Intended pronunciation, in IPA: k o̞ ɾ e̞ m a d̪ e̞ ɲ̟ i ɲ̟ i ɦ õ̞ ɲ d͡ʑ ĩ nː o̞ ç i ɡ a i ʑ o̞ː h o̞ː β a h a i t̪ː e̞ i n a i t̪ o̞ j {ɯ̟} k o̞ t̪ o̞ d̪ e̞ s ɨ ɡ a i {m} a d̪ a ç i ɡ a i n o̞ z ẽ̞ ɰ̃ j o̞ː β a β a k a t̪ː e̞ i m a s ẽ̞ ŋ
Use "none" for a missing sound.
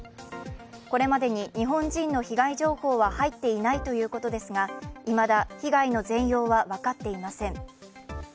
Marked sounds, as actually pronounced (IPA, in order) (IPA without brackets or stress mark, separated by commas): ɯ̟ː, m